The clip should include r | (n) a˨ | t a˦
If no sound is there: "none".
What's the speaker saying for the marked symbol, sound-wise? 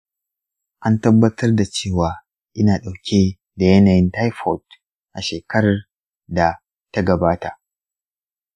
d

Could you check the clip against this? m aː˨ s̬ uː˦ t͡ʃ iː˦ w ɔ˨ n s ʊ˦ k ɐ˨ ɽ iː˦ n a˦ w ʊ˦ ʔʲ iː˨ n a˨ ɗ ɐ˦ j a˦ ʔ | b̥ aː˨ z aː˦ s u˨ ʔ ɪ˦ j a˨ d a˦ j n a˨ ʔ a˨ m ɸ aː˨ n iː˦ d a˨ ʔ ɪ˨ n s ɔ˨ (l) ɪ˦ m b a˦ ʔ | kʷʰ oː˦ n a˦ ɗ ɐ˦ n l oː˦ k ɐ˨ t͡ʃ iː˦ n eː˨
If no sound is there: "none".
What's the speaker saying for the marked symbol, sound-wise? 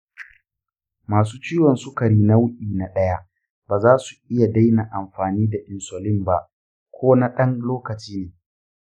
l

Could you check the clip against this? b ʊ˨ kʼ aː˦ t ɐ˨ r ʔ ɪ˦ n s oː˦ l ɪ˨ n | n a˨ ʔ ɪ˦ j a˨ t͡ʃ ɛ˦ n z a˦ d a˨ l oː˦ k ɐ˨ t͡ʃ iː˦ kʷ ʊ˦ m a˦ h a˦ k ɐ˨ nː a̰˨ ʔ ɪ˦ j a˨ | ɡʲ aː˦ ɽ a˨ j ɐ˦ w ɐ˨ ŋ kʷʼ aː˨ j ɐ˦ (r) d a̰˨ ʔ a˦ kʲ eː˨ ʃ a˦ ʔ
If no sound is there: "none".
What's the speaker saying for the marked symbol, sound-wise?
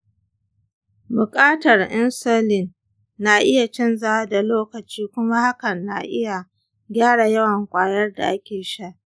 r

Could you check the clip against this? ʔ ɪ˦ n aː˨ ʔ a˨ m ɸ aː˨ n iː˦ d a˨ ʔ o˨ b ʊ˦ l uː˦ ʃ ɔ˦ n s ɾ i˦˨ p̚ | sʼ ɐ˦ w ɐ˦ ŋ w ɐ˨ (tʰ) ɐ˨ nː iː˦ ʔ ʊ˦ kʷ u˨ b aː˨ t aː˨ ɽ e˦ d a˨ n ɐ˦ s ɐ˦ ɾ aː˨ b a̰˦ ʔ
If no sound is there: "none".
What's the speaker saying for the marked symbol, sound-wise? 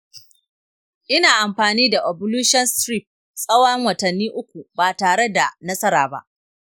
t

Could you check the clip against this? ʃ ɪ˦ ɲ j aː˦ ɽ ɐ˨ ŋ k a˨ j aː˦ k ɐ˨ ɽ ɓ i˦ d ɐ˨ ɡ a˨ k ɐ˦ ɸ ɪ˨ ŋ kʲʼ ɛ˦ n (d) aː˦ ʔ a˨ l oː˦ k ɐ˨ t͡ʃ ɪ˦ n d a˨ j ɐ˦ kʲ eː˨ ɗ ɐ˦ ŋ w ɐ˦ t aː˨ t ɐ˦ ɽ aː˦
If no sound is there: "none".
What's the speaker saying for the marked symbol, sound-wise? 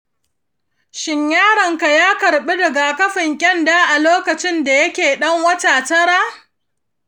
d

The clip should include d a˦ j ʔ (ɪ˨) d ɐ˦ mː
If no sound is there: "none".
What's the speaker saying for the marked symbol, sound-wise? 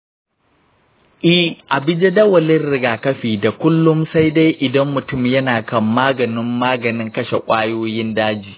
ɪ˨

